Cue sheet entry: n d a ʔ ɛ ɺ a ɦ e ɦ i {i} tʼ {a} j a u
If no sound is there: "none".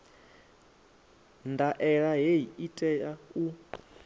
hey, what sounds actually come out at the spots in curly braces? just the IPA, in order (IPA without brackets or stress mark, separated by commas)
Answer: i, ɛ